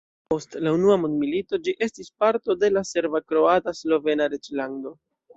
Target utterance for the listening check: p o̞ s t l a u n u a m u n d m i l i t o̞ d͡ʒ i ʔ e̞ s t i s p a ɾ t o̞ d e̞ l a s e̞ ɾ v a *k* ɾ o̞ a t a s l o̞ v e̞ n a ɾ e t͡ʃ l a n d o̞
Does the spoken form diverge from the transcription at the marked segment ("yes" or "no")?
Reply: no